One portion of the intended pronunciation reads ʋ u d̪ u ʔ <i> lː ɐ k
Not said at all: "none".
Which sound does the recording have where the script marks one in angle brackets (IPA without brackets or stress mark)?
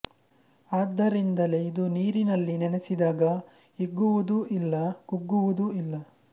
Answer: i